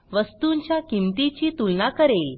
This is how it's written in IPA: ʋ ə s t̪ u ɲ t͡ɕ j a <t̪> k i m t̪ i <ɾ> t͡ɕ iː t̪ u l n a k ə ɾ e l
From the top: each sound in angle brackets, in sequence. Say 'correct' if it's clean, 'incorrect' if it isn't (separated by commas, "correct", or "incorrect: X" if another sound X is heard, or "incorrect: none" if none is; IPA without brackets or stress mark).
incorrect: none, incorrect: none